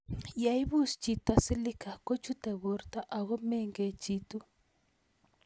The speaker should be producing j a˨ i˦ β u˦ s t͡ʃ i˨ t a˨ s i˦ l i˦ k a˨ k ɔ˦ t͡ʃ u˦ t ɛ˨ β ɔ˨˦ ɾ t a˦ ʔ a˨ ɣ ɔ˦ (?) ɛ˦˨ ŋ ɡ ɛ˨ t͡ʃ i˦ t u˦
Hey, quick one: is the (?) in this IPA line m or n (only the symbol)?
m